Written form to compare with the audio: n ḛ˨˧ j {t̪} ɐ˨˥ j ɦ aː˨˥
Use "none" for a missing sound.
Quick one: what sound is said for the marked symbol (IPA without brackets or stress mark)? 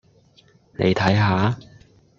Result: t̪ʰ